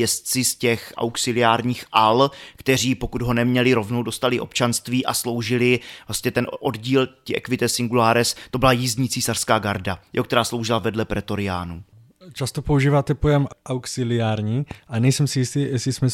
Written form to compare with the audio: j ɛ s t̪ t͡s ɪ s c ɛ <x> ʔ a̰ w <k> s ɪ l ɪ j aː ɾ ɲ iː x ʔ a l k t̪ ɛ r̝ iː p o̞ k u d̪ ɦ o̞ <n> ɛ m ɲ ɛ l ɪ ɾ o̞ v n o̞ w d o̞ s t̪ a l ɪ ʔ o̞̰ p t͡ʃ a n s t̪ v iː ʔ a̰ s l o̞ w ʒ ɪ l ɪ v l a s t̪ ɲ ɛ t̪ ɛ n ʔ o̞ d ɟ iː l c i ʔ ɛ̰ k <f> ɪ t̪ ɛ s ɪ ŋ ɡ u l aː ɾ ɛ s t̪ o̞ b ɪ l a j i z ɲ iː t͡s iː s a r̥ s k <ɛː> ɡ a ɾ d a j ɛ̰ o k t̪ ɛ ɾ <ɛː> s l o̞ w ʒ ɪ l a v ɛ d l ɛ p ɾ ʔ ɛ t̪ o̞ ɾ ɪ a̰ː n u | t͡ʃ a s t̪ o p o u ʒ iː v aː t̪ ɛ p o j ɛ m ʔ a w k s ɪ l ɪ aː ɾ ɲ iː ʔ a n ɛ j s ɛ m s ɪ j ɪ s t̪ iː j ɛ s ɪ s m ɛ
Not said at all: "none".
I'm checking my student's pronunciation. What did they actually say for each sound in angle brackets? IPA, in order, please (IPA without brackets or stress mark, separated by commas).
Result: x, k, n, v, aː, aː